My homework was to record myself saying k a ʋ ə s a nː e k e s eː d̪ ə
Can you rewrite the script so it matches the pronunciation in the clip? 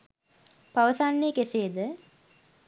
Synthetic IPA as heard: p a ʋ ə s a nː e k e s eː d̪ ə

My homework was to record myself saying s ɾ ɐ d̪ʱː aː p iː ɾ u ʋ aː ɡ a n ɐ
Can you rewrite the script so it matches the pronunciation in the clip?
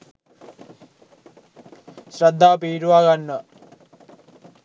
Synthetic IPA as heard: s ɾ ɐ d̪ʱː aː p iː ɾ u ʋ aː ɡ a nː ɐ

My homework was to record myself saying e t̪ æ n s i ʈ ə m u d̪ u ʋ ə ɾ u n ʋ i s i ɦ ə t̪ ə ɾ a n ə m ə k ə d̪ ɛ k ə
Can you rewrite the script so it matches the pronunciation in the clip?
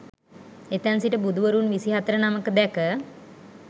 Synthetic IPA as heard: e t̪ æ n s i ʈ ə b u d̪ u ʋ ə ɾ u n ʋ i s i ɦ a t̪ ə ɾ ə n a m ə k ə d̪ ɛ k ə

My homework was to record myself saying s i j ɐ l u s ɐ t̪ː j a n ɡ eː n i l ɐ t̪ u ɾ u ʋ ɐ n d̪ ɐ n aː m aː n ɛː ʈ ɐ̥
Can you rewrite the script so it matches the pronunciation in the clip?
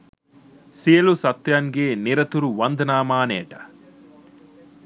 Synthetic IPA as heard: s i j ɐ l u s ɐ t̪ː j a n ɡ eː n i ɾ ɐ t̪ u ɾ u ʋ ɐ n d̪ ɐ n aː m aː n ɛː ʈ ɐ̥

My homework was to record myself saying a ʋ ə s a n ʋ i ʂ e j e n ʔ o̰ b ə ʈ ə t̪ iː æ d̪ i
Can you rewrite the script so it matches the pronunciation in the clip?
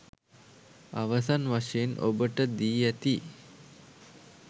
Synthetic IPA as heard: a ʋ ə s a n ʋ a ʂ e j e n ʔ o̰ b ə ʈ ə d̪ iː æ t̪ i

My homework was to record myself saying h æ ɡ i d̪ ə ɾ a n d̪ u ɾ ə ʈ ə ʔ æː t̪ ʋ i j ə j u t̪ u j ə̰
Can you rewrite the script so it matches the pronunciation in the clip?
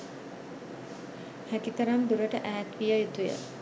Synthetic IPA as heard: h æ k i t̪ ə ɾ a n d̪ u ɾ ə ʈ ə ʔ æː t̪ ʋ i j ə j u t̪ u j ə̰

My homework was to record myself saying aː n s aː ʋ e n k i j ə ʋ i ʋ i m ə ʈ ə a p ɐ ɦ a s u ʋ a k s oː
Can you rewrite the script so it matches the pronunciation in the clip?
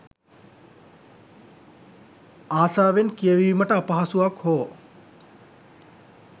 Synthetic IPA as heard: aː s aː ʋ e n k i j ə ʋ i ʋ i m ə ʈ ə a p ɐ ɦ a s u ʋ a k h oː

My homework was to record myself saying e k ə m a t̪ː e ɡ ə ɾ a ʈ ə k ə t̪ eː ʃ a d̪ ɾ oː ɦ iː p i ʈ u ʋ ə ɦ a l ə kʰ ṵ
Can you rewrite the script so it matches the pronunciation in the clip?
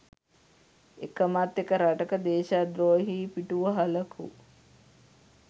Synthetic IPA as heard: e k ə m a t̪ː e k ə ɾ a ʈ ə k ə d̪ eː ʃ a d̪ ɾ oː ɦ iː p i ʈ u ʋ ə ɦ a l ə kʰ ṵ

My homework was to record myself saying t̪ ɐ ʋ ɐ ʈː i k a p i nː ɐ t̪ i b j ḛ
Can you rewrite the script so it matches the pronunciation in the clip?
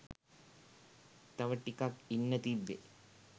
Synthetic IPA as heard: t̪ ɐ ʋ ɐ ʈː i k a k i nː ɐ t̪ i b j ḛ

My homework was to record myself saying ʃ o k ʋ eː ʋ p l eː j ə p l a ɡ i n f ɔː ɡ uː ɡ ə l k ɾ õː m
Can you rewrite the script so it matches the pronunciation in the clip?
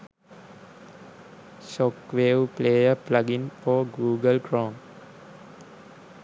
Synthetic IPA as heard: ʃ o k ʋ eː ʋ p l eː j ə p l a ɡ i n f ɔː ɡ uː ɡ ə l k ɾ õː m

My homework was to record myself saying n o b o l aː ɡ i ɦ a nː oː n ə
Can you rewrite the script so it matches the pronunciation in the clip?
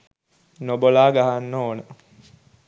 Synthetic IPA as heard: n o b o l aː ɡ a ɦ a nː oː n ə

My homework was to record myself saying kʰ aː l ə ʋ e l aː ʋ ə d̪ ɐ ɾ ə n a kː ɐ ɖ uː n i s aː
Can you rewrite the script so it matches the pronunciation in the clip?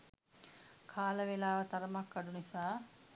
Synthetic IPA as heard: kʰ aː l ə ʋ e l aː ʋ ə t̪ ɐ ɾ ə m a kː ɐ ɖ u n i s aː

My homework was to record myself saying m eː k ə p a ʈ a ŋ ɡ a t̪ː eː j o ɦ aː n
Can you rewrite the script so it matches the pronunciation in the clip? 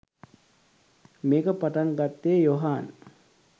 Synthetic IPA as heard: m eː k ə p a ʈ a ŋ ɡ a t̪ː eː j o ɦ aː n

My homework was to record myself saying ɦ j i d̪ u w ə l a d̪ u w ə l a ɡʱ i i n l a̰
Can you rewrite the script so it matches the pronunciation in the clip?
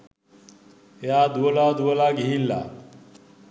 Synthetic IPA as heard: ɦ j a d̪ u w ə l a d̪ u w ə l a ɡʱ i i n l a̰

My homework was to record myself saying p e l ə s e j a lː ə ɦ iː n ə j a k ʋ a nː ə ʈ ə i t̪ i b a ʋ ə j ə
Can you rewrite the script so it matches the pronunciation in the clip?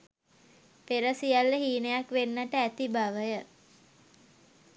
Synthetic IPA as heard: p e ɾ ə s i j a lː ə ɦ iː n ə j a k ʋ e nː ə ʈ ə æ t̪ i b a ʋ ə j ə

